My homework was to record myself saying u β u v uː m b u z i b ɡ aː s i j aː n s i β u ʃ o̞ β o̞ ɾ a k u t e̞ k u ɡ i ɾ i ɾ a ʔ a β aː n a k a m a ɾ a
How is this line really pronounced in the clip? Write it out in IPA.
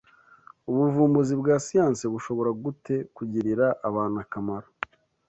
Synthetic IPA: u β u v uː m b u z i b ɡ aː s i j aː n s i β u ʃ o̞ β o̞ ɾ a ɡ u t e̞ k u ɟ i ɾ i ɾ a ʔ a β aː n a k a m a ɾ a